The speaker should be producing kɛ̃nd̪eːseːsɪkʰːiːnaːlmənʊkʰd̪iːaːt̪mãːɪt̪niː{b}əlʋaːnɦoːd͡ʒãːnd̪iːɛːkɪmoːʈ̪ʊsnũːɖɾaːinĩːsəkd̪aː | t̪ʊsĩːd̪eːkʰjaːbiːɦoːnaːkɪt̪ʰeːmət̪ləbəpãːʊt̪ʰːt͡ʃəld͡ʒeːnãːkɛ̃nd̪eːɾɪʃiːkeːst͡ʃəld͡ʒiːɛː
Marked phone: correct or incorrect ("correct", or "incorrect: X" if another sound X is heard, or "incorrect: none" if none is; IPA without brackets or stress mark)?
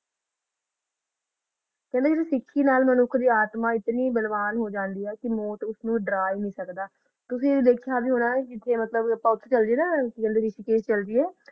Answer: correct